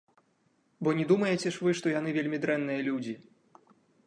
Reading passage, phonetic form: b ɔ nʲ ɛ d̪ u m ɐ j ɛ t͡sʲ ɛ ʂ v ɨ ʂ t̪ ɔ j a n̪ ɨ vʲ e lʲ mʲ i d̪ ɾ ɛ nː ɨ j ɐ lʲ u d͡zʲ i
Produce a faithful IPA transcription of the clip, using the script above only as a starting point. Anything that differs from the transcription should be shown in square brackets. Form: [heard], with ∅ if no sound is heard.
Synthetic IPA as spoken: b ɔ nʲ ɛ d̪ u m ɐ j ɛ t͡sʲ ɛ ʂ v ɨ ʂ t̪ ɔ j a n̪ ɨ vʲ e lʲ mʲ i d̪ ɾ ɛ nː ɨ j ɐ lʲ u d͡zʲ i